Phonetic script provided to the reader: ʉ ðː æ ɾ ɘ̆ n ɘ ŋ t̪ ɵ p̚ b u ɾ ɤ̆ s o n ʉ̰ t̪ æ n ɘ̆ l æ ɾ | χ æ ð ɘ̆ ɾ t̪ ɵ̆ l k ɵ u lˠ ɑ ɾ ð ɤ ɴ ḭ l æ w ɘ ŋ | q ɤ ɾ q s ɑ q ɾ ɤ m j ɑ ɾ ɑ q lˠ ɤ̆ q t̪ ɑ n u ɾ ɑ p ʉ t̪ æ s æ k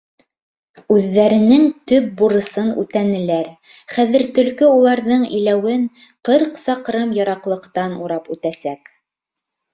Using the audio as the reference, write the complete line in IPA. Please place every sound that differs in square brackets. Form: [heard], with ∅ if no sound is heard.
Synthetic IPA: ʉ ðː æ ɾ ɘ̆ n ɘ ŋ t̪ ɵ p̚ b u ɾ ɤ̆ s [ɤ] n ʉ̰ t̪ æ n ɘ̆ l æ ɾ | χ æ ð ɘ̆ ɾ t̪ ɵ̆ l k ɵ u lˠ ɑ ɾ ð ɤ ɴ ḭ l æ w ɘ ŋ | q ɤ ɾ q s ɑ q ɾ ɤ m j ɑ ɾ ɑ q lˠ ɤ̆ q t̪ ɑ n u ɾ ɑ p ʉ t̪ æ s æ k